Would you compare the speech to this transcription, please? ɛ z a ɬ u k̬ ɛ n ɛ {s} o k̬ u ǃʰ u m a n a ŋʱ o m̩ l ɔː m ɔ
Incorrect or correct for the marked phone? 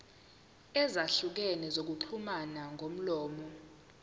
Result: incorrect: z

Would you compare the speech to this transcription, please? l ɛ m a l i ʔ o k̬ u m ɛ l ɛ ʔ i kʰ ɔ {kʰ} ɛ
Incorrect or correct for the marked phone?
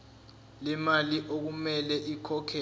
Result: correct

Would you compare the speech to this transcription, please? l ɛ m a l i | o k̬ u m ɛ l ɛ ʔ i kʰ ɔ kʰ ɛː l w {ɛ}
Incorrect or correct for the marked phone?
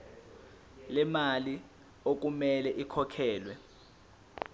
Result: correct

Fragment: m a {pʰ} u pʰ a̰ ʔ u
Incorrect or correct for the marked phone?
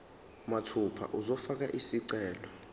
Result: incorrect: tʰ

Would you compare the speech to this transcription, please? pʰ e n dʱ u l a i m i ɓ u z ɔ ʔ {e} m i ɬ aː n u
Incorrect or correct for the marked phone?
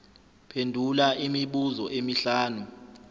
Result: correct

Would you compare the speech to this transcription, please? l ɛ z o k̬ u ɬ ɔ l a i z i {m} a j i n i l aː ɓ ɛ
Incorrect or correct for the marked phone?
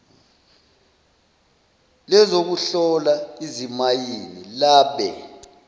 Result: correct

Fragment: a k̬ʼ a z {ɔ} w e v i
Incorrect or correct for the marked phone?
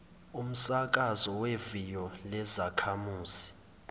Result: correct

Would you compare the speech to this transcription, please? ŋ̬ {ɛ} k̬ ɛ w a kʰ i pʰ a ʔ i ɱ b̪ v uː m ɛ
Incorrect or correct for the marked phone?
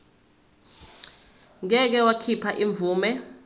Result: correct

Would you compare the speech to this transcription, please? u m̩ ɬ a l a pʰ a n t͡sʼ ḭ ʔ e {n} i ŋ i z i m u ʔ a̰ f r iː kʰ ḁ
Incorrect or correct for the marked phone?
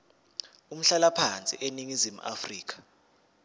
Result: correct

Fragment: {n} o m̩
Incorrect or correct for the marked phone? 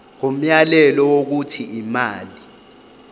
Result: incorrect: ŋ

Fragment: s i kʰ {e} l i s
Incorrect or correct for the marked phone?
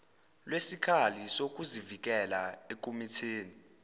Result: incorrect: a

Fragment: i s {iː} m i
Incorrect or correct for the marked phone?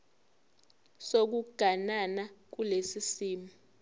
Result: correct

